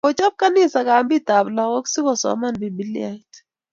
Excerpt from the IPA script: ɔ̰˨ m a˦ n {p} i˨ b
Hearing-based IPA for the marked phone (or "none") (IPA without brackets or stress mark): b